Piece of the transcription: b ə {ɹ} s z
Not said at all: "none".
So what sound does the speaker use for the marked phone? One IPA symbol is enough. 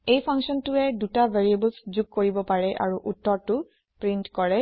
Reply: l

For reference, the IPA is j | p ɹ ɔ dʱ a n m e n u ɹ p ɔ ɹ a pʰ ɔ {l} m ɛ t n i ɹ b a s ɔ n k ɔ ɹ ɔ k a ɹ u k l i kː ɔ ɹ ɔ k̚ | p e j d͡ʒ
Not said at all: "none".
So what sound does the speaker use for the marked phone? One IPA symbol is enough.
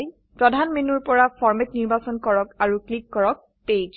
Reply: ɹ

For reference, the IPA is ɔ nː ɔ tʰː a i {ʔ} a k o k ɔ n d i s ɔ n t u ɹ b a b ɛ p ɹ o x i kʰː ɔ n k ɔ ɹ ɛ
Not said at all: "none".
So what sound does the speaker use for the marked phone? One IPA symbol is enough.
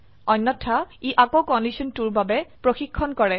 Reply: ʔ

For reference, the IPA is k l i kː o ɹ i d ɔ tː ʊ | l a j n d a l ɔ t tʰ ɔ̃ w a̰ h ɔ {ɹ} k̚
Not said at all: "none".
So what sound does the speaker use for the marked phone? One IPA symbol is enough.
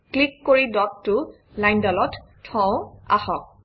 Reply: none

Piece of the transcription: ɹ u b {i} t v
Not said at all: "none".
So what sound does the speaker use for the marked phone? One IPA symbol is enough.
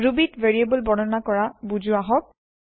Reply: i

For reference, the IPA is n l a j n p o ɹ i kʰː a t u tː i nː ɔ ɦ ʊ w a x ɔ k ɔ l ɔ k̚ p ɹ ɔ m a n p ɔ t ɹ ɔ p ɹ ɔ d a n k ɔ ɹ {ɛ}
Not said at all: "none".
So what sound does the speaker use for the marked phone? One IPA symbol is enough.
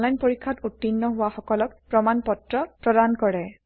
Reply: ɛ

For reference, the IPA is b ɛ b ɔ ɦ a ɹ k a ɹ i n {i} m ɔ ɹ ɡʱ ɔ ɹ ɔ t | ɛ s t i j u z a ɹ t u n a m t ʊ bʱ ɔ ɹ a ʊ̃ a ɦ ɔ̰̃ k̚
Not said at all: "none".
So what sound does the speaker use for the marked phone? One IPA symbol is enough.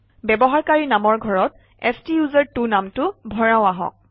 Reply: a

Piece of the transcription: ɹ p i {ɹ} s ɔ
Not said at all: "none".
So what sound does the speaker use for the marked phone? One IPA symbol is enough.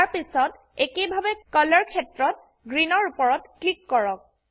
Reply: none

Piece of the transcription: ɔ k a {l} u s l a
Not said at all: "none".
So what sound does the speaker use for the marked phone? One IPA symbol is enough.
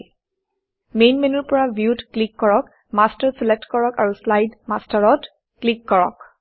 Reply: ɹ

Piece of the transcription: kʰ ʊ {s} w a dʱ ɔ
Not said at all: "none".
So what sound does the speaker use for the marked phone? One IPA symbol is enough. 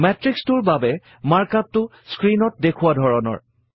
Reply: none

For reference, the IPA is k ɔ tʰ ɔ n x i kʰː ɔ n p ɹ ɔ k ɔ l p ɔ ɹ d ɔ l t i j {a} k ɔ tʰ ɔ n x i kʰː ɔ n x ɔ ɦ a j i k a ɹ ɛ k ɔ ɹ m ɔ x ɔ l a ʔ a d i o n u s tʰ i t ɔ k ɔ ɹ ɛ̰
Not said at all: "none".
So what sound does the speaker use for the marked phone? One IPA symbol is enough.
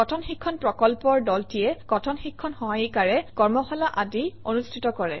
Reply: ɛ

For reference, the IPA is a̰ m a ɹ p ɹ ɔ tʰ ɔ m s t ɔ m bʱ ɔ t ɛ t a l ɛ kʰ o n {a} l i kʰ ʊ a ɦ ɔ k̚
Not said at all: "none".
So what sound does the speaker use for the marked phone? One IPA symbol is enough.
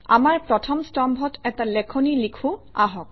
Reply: i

